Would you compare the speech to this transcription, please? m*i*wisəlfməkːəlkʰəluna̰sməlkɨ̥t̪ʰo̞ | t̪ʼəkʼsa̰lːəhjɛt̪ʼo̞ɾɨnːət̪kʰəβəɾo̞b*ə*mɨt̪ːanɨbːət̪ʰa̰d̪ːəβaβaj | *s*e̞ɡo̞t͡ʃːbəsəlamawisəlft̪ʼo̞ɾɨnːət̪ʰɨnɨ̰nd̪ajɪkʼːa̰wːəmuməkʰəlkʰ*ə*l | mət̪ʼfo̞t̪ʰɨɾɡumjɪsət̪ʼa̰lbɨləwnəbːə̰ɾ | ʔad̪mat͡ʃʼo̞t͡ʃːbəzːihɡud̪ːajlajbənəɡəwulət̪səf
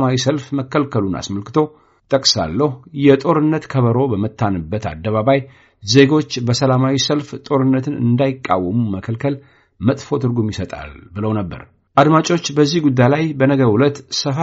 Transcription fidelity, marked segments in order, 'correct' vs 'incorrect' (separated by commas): incorrect, correct, incorrect, correct